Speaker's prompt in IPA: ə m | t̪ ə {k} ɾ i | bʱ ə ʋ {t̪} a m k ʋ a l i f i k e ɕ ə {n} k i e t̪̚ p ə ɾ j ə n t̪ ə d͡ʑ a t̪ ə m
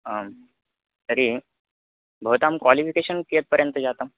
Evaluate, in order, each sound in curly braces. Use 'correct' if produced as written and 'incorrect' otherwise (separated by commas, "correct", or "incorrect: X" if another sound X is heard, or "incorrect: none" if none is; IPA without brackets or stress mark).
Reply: incorrect: none, correct, correct